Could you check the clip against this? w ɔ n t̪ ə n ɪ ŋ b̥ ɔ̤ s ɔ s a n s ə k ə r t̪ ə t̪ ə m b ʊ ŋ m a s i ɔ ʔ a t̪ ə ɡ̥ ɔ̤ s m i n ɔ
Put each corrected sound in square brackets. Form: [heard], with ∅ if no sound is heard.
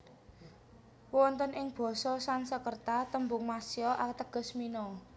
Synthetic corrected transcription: w ɔ n t̪ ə n ɪ ŋ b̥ ɔ̤ s ɔ s a n s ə k ə r t̪ [a] t̪ ə m b ʊ ŋ m a s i ɔ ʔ a t̪ ə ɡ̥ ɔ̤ s m i n ɔ